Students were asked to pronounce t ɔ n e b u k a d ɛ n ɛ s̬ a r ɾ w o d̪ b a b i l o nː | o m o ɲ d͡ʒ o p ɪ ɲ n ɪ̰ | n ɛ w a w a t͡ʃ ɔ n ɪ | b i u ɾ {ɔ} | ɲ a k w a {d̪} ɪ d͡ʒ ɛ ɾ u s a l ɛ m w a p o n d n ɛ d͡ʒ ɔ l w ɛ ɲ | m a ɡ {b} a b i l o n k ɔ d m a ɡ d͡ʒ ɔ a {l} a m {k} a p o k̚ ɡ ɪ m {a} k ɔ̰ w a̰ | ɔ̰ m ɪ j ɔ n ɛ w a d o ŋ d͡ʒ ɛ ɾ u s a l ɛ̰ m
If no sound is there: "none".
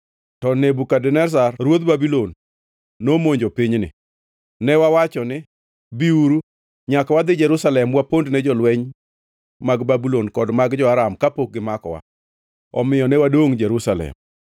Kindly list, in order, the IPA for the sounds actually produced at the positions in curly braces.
u, d̪, b, ɾ, k, a

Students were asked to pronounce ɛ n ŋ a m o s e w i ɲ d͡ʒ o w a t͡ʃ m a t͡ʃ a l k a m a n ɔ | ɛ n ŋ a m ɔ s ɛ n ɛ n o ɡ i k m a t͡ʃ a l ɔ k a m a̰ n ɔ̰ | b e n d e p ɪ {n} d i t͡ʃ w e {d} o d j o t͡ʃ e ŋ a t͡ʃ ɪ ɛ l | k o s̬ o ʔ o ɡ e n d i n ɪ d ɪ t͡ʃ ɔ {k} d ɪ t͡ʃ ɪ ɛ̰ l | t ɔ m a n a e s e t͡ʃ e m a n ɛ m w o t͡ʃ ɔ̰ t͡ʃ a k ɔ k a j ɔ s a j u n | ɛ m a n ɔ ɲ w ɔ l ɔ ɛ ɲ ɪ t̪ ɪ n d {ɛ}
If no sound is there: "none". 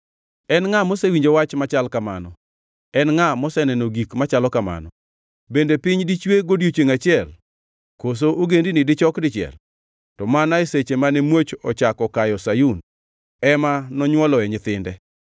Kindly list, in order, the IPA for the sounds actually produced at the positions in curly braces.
ɲ, ɡ, k, ɛ

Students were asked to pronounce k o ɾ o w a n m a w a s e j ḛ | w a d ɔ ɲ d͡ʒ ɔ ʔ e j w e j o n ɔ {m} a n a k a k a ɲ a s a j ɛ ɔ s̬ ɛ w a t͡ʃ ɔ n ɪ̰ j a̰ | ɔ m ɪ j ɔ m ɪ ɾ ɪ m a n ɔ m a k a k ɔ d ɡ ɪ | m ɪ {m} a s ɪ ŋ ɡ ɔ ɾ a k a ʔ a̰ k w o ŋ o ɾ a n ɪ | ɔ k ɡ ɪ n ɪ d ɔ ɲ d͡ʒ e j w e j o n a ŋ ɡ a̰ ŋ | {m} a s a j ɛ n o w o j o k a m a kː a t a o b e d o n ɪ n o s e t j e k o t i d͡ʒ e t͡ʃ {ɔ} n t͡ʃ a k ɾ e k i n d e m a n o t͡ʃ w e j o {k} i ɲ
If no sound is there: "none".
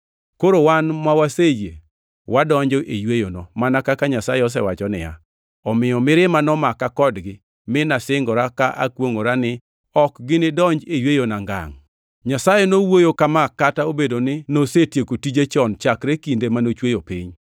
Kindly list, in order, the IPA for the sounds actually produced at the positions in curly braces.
m, n, ɲ, ɔ, p

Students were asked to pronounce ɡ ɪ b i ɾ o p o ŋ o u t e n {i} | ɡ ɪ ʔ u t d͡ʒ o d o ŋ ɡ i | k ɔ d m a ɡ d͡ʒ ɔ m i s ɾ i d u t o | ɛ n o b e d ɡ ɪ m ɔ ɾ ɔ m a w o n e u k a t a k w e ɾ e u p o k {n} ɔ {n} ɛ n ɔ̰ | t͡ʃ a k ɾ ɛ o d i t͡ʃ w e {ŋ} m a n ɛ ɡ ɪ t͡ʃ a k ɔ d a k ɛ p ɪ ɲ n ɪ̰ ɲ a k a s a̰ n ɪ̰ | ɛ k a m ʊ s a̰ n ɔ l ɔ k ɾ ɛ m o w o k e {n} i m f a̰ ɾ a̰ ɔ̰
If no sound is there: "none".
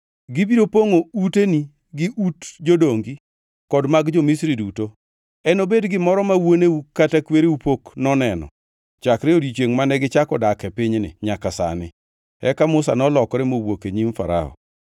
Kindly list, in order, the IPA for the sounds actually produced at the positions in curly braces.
i, n, n, ŋ, ɲ

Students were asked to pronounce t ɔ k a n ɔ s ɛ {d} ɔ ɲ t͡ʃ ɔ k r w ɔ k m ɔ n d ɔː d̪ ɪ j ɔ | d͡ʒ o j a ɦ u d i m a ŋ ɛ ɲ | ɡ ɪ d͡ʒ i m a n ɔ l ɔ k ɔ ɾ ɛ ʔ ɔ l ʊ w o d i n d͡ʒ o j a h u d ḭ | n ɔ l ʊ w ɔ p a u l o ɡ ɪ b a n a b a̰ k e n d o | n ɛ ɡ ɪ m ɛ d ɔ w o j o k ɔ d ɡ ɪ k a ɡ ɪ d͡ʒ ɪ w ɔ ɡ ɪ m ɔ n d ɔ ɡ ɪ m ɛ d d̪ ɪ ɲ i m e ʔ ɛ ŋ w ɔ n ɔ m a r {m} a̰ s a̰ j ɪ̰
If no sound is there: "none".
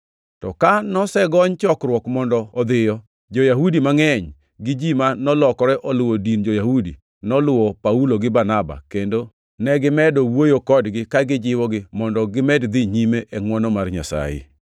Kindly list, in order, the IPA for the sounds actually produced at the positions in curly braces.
ɡ, ɲ

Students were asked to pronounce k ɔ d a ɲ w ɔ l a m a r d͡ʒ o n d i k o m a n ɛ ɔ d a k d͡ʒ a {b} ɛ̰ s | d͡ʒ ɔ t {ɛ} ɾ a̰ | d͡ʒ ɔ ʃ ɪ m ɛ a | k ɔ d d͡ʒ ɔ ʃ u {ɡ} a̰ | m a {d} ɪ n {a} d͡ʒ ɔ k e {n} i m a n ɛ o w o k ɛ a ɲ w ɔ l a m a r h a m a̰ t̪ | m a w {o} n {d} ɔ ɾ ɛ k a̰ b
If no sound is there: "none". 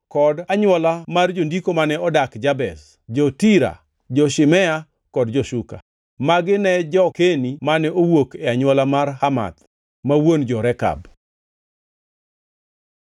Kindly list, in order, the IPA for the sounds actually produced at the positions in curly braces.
b, i, k, ɡ, ɛ, n, o, d͡ʒ

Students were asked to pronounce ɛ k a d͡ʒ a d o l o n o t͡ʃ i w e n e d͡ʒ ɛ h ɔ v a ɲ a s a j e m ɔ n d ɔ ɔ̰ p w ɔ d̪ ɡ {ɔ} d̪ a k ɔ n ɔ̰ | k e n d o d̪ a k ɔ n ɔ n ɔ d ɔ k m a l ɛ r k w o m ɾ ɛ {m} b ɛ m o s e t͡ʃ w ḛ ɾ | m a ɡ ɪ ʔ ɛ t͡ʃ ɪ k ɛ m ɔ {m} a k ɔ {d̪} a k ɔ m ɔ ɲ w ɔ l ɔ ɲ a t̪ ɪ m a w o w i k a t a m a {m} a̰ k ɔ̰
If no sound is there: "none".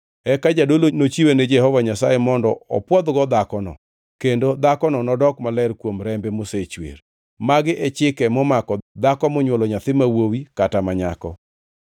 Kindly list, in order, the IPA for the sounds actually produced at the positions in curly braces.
ɔ, m, m, d̪, ɲ

